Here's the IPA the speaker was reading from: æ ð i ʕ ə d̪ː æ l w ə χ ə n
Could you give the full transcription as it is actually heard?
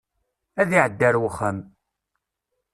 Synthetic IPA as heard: æ ð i ʕ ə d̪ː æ ɾ w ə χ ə m